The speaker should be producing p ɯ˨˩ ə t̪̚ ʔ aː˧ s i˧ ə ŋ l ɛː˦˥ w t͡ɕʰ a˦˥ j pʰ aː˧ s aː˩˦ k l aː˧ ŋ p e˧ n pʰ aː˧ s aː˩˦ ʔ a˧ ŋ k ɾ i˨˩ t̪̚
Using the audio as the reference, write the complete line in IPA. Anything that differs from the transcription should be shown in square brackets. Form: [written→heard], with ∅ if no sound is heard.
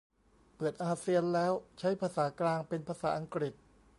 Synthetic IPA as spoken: p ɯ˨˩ ə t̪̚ ʔ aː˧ s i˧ ə [ŋ→n] l ɛː˦˥ w t͡ɕʰ a˦˥ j pʰ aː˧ s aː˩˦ k l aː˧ ŋ p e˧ n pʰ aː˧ s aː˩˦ ʔ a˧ ŋ k ɾ i˨˩ t̪̚